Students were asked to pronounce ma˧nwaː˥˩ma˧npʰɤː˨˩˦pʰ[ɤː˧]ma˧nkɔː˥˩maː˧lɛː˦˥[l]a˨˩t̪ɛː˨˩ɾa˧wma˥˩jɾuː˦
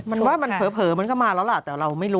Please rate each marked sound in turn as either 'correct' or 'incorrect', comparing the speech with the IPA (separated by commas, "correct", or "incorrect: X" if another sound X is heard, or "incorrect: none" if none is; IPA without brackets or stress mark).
incorrect: ɤː˩˦, correct